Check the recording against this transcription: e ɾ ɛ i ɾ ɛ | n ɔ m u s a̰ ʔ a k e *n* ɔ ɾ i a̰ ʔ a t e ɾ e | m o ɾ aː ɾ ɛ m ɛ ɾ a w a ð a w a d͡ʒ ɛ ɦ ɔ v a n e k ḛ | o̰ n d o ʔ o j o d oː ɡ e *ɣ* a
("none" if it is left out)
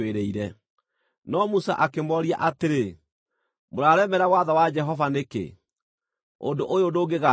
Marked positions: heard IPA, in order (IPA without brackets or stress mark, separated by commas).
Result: m, ɣ